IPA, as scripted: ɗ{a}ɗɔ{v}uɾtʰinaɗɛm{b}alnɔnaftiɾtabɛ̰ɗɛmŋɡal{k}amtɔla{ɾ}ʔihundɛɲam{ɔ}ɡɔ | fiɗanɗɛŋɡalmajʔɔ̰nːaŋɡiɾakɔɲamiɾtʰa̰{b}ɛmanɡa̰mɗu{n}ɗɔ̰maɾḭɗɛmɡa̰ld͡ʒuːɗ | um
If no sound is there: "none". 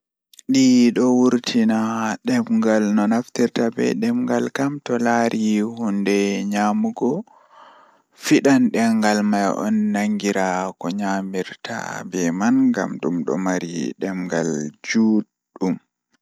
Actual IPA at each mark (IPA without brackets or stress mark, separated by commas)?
i, w, ɡ, k, ɾ, u, b, m